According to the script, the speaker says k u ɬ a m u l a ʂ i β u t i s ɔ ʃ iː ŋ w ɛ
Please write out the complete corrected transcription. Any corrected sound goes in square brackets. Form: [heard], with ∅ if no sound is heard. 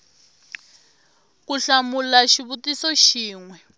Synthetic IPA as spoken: k u ɬ a m u l a [ʃ] i β u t i s ɔ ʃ iː ŋ w ɛ

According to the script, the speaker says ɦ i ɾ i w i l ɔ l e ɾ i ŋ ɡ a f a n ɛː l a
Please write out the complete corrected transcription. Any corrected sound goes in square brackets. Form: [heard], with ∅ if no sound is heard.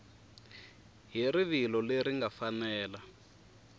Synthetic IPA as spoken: ɦ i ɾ i [β] i l ɔ l e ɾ i ŋ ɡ a f a n ɛː l a

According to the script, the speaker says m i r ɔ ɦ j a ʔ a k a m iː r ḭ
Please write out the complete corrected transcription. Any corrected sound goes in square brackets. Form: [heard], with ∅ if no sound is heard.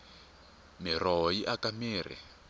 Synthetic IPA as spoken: m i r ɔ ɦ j [i] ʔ a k a m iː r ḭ

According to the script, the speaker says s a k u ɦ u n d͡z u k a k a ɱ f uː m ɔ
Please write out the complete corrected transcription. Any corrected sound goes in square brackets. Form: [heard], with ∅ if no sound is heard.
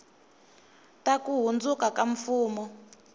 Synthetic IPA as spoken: [t] a k u ɦ u n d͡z u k a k a ɱ f uː m ɔ

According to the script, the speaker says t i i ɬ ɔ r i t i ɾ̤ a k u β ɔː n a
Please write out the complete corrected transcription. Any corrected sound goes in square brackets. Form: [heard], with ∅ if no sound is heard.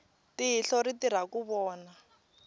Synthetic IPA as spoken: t i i ɬ ɔ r i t i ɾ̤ a k u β ɔː n a

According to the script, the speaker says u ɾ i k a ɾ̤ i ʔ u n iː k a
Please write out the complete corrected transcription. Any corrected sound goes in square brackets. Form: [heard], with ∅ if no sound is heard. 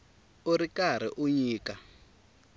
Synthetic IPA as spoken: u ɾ i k a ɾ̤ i ʔ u [ɲ] iː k a

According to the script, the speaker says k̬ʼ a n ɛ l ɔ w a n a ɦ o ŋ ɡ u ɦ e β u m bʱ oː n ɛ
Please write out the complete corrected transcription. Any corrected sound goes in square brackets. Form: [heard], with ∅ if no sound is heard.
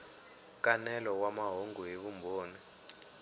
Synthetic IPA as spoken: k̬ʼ a n ɛ l ɔ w a [m] a ɦ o ŋ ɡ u ɦ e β u m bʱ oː n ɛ

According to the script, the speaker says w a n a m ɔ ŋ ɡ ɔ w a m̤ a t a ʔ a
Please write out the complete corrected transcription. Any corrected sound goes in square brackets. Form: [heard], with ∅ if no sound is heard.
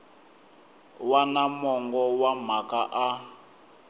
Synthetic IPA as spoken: w a n a m ɔ ŋ ɡ ɔ w a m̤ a [k] a ʔ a

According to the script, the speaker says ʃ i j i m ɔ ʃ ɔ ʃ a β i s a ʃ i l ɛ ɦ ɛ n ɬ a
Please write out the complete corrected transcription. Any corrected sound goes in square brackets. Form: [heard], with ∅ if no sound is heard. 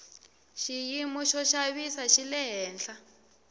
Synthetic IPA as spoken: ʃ i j i m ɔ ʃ ɔ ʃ a β i s a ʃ i l ɛ ɦ [ɛː] n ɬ a

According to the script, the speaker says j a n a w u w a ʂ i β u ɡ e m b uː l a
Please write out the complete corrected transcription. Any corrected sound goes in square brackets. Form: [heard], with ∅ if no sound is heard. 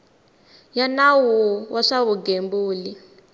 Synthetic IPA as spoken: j a n a w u w a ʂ [a] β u ɡ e m b uː l [i]

